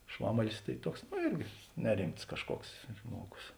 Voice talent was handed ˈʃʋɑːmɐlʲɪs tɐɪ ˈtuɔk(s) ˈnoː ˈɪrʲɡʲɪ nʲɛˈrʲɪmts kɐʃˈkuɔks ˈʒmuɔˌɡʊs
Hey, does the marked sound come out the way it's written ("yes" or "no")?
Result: yes